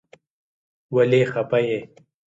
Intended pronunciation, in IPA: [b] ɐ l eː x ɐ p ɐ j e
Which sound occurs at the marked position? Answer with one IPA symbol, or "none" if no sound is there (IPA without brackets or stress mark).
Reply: w